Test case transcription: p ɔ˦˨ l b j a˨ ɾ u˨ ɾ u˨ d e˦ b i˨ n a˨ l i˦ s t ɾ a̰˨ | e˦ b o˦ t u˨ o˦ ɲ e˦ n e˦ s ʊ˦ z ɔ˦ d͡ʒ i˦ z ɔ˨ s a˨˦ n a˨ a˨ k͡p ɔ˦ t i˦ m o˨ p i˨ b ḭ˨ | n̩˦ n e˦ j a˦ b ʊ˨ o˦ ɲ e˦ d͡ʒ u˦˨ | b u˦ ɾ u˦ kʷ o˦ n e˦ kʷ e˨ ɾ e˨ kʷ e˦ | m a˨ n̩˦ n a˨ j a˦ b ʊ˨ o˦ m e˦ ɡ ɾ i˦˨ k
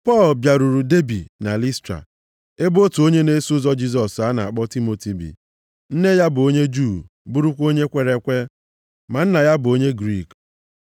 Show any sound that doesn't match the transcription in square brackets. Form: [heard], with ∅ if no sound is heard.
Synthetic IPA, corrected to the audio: p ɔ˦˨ l b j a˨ ɾ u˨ ɾ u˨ d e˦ b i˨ n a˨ l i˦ s t ɾ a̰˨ | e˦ b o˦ t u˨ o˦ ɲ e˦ n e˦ s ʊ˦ z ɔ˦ d͡ʒ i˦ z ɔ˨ s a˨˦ n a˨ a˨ k͡p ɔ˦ t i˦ m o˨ [t] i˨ b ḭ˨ | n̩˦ n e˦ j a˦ b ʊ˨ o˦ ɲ e˦ d͡ʒ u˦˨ | b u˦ ɾ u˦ kʷ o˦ [ɲ] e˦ kʷ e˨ ɾ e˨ kʷ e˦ | m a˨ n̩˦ n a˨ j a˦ b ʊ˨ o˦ [ɲ] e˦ ɡ ɾ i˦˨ k

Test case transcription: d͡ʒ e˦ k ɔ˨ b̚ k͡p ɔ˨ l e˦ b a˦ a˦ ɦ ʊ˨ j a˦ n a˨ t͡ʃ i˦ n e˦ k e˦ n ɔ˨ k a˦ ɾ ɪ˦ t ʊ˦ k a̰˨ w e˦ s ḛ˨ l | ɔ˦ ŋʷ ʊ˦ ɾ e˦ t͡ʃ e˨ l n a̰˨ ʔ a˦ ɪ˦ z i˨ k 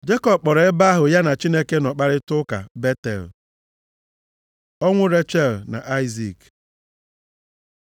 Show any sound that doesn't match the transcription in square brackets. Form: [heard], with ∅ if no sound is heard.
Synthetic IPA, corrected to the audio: d͡ʒ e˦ k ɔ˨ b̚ k͡p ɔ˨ [ɾ] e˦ b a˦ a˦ ɦ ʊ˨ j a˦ n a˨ t͡ʃ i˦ n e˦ k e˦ n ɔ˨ [k͡p] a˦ ɾ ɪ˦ t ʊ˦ k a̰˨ [b] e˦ [t] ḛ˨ l | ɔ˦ ŋʷ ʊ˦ ɾ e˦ t͡ʃ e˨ l n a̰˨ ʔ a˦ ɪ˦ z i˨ k

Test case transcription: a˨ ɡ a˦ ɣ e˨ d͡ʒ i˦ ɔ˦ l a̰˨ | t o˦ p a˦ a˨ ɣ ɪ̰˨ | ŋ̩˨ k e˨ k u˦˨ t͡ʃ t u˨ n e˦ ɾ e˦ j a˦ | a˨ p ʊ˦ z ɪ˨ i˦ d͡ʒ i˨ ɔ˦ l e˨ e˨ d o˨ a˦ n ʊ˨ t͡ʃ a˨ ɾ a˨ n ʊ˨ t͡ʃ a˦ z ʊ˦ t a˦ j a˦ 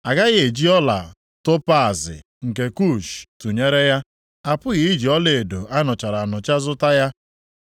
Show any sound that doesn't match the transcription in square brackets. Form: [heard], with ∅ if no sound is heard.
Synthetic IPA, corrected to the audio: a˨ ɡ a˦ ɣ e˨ d͡ʒ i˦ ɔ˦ l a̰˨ | t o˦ p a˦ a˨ [z] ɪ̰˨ | ŋ̩˨ k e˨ k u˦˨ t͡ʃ t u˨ [ɲ] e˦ ɾ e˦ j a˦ | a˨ p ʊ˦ [ɣ] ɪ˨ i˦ d͡ʒ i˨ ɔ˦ l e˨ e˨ d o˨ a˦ n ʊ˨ t͡ʃ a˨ ɾ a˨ n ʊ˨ t͡ʃ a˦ z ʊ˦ t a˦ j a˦

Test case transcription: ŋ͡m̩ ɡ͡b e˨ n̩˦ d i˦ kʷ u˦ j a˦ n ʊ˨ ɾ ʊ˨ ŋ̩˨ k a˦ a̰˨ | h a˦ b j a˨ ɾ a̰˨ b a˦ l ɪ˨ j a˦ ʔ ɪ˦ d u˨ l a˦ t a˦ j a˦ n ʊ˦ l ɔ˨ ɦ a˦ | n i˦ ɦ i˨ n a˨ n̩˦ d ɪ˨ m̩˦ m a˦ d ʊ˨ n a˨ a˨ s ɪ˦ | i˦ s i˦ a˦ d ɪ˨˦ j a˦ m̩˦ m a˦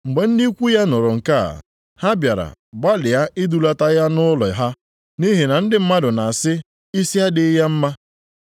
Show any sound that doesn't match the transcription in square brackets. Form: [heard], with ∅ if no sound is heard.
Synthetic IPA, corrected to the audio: ŋ͡m̩ ɡ͡b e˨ n̩˦ d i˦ kʷ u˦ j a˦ n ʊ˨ ɾ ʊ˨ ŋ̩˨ k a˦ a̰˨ | h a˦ b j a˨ ɾ a̰˨ b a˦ l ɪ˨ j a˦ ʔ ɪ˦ d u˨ l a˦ t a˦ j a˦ n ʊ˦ l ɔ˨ ɦ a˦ | n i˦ ɦ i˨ n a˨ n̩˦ d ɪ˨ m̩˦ m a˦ d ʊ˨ n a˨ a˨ s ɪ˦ | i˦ s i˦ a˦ d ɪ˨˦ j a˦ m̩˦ m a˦

